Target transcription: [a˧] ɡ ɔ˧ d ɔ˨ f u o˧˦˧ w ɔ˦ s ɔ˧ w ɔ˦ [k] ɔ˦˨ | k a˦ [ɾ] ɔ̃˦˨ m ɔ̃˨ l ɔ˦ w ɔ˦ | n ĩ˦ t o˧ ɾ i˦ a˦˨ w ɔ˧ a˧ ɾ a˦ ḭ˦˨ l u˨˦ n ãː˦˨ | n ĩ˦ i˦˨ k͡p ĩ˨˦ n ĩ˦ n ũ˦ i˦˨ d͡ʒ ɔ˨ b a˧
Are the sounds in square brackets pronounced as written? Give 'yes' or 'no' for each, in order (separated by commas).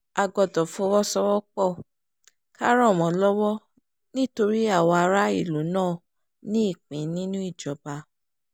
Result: yes, no, yes